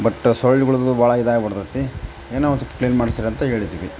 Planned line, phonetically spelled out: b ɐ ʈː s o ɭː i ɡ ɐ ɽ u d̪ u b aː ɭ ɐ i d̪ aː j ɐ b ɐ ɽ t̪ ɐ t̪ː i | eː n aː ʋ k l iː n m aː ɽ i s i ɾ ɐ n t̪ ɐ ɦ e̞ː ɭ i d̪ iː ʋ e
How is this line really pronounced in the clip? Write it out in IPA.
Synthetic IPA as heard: b ɐ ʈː s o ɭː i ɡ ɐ ɭ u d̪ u b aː ɭ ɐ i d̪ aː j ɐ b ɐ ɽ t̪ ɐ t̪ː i | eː n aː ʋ k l iː n m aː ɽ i s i ɾ ɐ n t̪ ɐ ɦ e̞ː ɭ i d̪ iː ʋ i